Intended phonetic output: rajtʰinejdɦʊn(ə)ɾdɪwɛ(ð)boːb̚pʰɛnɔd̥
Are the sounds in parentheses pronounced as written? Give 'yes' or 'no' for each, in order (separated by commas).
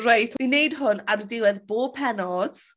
no, yes